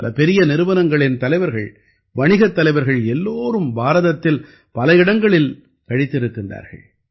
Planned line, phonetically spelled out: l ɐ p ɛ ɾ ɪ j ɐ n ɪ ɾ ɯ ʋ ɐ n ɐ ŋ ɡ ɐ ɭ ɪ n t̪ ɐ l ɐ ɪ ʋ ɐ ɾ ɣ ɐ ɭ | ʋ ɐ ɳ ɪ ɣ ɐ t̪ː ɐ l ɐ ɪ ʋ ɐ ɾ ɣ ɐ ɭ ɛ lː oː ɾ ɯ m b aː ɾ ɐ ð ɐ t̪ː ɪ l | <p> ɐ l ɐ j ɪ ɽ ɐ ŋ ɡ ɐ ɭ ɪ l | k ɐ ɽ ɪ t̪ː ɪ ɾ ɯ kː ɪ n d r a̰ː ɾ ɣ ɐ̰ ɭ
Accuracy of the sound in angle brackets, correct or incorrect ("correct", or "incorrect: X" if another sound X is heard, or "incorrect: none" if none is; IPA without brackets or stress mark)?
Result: correct